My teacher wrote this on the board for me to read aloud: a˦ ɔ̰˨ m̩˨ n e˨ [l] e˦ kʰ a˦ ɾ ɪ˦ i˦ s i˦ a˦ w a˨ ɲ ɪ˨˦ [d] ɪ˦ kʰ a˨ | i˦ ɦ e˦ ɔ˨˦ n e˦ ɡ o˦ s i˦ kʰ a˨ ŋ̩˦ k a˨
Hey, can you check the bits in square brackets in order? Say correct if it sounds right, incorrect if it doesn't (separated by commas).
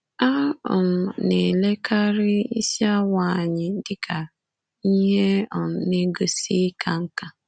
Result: correct, correct